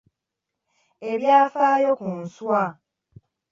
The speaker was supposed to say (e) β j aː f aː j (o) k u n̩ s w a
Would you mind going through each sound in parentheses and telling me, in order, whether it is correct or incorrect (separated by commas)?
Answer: correct, correct